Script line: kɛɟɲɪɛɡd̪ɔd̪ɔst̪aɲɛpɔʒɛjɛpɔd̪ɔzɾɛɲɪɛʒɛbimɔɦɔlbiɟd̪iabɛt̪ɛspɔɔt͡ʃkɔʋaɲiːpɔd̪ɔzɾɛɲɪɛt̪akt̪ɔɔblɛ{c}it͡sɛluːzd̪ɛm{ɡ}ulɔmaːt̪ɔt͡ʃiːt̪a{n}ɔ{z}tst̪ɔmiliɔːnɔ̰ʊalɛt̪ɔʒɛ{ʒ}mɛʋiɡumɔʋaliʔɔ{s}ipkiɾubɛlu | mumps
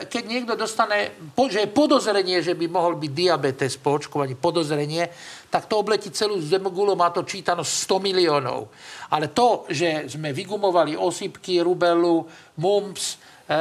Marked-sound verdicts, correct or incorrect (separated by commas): correct, correct, correct, incorrect, incorrect, correct